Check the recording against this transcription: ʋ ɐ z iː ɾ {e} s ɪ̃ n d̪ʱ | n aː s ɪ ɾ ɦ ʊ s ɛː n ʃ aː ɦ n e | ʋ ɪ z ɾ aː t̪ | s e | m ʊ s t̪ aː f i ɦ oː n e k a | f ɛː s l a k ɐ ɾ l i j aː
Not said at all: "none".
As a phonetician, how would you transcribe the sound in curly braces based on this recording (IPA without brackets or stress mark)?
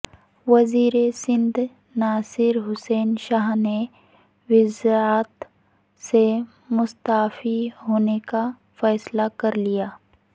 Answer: e